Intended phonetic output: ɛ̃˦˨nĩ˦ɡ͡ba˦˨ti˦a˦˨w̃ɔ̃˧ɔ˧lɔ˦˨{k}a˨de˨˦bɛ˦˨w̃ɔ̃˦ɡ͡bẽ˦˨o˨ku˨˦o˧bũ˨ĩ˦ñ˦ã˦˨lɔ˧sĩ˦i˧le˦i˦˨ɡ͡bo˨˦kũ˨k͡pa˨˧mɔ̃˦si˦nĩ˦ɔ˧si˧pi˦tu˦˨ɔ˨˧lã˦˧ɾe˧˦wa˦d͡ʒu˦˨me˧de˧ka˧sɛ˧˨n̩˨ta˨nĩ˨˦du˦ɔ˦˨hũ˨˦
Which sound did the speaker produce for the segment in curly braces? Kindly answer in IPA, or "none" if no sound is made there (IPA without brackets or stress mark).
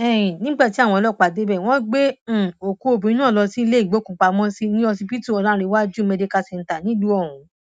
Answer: k͡p